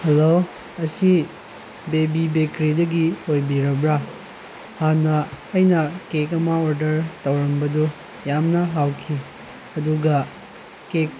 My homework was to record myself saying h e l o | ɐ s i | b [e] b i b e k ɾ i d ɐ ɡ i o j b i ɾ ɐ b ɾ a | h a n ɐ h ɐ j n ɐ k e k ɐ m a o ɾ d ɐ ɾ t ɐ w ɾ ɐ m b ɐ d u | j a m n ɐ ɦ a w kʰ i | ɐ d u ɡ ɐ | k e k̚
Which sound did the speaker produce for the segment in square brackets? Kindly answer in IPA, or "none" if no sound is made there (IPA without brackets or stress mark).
e